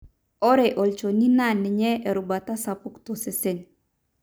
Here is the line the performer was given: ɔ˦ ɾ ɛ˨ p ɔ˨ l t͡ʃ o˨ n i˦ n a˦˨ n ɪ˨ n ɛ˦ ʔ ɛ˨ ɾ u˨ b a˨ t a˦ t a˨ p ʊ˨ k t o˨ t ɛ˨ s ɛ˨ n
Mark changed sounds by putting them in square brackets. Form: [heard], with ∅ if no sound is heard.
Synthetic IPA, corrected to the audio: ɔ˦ ɾ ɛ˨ [ʔ] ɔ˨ l t͡ʃ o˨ n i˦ n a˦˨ n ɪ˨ [ɲ] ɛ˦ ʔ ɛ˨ ɾ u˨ b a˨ t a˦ [s] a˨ p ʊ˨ k t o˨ [s] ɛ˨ s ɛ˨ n